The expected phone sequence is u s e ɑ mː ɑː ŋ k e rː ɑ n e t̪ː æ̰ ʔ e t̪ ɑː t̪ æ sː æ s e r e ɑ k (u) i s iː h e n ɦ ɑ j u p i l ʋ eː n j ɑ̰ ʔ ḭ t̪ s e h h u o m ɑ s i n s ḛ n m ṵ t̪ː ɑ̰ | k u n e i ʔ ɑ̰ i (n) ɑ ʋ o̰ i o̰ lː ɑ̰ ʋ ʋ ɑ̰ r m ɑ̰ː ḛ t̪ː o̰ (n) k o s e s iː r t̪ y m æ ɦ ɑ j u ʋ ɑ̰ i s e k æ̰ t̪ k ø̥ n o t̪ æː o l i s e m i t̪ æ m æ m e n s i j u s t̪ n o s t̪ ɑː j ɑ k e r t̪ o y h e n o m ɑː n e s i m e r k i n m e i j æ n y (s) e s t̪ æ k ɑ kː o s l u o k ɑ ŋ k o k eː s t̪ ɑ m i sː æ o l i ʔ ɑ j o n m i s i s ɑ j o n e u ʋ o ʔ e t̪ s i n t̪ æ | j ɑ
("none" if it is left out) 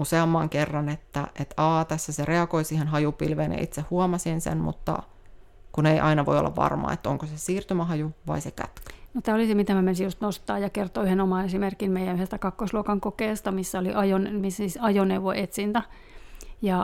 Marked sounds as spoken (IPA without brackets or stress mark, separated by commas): o, n, ŋ, h